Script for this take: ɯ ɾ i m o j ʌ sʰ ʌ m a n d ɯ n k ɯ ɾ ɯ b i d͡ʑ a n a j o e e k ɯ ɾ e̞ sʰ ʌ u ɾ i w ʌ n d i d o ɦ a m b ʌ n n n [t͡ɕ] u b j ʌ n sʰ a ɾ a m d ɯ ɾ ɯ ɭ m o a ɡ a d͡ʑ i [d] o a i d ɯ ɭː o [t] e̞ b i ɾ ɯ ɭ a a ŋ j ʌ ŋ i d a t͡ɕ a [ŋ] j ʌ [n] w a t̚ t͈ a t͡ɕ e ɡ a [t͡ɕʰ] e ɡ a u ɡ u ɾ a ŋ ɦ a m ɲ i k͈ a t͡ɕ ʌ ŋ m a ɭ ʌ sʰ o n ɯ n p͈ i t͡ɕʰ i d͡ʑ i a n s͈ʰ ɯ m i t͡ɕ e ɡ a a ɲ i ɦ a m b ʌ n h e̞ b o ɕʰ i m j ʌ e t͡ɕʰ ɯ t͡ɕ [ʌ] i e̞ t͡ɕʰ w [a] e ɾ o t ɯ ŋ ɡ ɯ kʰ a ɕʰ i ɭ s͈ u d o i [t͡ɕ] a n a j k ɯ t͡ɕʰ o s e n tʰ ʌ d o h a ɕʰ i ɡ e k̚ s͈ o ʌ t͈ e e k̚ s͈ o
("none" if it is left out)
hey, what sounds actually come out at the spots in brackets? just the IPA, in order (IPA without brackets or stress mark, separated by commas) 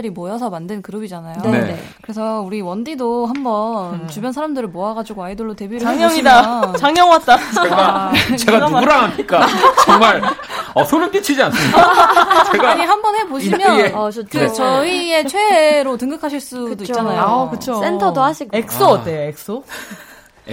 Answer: t͡ɕ, ɡ, t, ŋ, ŋ, t͡ɕ, ʌ, e, t͡ɕ